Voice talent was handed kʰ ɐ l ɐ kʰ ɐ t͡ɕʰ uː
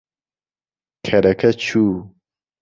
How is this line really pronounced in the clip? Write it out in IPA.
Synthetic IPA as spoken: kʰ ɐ ɾ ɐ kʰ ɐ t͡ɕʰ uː